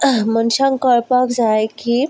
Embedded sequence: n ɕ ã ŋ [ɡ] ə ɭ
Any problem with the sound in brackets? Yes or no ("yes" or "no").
yes